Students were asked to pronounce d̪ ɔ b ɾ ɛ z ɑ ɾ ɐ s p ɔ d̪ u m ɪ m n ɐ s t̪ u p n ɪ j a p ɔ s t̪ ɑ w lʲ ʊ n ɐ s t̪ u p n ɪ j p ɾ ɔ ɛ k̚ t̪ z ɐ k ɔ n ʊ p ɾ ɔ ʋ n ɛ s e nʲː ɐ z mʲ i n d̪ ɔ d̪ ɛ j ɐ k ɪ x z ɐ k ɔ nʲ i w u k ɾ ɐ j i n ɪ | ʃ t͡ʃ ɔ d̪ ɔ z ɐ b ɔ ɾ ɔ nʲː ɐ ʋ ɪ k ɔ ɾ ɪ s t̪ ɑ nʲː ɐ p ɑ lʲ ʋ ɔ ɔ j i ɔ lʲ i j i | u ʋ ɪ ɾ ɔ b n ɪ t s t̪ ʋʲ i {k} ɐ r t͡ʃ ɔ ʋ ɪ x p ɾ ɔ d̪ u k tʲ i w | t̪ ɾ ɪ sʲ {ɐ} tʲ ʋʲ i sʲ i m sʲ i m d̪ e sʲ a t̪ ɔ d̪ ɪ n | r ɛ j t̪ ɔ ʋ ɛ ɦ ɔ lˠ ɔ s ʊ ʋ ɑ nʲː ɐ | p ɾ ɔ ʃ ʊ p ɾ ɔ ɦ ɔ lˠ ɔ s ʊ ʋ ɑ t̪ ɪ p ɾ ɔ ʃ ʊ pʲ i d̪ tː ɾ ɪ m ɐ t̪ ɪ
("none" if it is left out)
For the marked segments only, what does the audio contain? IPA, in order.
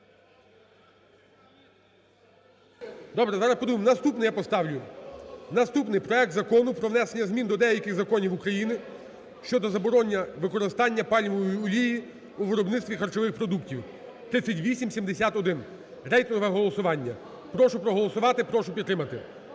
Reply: x, ɐ

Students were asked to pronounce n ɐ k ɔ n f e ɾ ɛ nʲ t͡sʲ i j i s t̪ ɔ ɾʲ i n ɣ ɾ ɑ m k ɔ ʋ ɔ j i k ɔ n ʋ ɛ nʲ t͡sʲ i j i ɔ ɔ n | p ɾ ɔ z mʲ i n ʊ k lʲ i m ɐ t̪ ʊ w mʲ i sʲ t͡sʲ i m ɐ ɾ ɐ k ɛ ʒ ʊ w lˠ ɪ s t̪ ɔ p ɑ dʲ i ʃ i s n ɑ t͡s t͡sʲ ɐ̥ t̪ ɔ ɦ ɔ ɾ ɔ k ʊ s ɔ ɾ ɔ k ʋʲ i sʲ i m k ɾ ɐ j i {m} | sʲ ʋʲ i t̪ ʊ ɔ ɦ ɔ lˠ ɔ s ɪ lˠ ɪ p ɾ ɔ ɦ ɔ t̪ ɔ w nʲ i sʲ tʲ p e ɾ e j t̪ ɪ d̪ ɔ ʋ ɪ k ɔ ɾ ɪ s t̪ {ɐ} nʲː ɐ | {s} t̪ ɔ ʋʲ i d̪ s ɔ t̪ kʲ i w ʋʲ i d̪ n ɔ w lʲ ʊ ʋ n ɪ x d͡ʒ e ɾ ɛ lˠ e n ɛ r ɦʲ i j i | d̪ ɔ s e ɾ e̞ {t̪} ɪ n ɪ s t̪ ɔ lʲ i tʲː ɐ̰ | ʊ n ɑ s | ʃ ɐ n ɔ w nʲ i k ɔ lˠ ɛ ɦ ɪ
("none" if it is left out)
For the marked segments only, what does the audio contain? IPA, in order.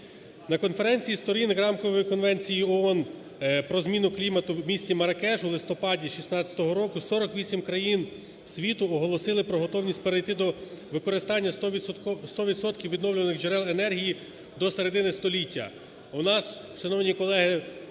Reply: n, ɑ, s, d̪

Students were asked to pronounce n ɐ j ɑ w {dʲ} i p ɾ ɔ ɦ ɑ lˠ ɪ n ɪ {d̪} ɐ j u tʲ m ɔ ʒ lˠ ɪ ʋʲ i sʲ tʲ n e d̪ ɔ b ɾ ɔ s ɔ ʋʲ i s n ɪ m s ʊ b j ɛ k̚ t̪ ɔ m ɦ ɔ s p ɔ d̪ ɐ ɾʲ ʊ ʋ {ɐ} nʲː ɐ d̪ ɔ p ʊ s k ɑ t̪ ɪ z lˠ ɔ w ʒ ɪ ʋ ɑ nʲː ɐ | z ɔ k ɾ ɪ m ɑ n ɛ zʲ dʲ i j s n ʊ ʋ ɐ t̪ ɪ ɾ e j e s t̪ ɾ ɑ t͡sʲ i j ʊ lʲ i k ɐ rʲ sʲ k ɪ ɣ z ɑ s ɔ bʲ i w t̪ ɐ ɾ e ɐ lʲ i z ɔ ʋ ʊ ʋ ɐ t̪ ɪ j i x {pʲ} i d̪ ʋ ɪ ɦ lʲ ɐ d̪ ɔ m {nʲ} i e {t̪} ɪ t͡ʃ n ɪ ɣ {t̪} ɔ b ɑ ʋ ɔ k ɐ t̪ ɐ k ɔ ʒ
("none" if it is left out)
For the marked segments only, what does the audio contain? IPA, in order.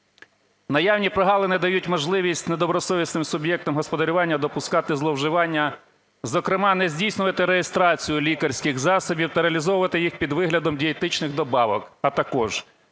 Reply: nʲ, d̪, ɑ, pʲ, dʲ, t̪, d̪

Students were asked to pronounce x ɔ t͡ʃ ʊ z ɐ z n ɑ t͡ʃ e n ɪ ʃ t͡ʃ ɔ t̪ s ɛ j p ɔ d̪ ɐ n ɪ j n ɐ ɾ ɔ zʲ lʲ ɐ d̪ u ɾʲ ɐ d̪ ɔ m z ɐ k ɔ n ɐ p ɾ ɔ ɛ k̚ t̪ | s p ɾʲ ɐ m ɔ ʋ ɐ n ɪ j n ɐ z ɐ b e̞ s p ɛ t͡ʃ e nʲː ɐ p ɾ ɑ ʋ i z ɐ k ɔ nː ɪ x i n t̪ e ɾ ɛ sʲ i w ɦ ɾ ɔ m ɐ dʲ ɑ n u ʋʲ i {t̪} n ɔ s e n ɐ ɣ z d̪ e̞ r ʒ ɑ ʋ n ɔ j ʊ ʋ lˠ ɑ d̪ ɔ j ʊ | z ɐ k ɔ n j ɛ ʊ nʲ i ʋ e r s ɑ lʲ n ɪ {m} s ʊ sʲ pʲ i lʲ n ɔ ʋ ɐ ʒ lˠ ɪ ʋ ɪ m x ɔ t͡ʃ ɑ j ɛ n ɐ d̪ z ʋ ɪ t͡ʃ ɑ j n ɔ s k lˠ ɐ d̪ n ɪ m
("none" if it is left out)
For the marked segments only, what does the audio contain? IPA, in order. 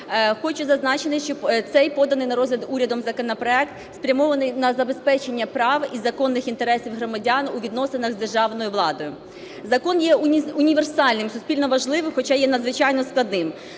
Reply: d̪, m

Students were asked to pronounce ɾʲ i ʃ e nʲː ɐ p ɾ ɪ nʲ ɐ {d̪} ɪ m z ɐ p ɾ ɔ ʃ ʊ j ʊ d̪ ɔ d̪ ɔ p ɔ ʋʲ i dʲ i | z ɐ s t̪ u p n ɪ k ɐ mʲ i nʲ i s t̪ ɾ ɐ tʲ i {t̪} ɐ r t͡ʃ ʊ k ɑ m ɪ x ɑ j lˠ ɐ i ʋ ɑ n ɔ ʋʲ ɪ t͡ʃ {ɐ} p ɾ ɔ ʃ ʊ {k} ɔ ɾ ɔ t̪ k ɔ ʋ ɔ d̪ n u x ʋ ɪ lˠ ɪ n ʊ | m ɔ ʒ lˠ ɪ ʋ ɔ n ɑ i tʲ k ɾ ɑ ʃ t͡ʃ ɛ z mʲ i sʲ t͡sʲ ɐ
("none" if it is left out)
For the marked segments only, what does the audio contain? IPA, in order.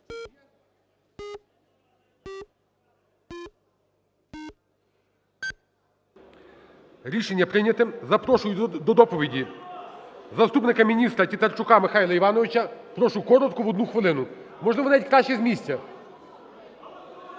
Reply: t̪, t̪, ɐ, k

